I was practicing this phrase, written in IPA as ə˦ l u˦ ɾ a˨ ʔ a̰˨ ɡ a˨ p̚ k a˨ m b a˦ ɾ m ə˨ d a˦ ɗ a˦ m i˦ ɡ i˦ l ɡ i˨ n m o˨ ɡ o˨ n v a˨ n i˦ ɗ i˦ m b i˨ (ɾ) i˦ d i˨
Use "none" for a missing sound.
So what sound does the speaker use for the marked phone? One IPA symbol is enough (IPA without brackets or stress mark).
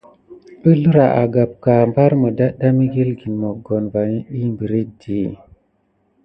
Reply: ɾ